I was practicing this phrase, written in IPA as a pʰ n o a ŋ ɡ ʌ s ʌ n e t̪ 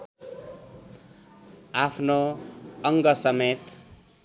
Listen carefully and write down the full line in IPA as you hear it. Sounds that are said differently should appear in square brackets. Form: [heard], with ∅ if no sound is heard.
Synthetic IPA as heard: a pʰ n o [ʌ] ŋ ɡ ʌ s ʌ [m] e t̪

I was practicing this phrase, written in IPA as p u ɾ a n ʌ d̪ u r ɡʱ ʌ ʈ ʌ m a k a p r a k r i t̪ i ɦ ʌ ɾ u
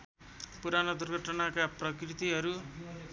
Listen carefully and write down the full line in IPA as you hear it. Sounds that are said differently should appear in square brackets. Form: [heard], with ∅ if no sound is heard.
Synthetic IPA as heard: p u ɾ a n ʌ d̪ u r ɡʱ ʌ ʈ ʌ [n] a k a p r [ʌ] k r i t̪ i ɦ ʌ ɾ u

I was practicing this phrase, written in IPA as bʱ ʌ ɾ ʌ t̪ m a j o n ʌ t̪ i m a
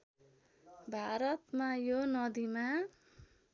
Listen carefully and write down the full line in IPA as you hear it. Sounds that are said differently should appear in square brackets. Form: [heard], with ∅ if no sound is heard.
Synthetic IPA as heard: bʱ [a] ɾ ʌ t̪ m a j o n ʌ [d̪] i m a

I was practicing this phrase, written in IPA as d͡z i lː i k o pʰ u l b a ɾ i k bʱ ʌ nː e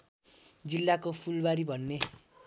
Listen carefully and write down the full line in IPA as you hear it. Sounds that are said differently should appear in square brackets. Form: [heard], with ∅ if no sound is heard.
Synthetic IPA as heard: d͡z i lː [a] k o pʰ u l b a ɾ i [∅] bʱ ʌ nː e

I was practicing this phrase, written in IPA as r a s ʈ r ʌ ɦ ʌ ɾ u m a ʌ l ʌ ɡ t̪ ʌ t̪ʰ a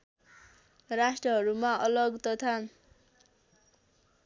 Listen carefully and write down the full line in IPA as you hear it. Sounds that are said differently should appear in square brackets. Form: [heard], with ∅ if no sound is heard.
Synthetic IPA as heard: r a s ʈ r ʌ ɦ ʌ ɾ u m a ʌ l ʌ ɡ t̪ ʌ t̪ʰ a

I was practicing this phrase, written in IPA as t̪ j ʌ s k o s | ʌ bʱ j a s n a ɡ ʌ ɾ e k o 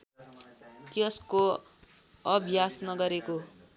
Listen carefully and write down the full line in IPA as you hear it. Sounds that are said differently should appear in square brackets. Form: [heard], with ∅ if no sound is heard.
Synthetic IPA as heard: t̪ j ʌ s k o [∅] | ʌ bʱ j a s n [ʌ] ɡ ʌ ɾ e k o

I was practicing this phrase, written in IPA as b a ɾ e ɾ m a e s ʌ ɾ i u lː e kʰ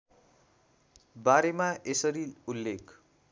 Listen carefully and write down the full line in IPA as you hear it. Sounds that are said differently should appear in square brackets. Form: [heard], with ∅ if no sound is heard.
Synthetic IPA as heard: b a ɾ e [∅] m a e s ʌ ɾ i u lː e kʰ

